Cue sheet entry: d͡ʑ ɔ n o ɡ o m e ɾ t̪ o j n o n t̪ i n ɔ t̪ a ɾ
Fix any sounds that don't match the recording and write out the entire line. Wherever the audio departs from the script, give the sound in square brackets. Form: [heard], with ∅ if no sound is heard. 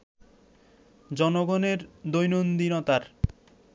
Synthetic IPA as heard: d͡ʑ ɔ n o ɡ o [n] e ɾ [d̪] o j n o n [d̪] i n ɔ t̪ a ɾ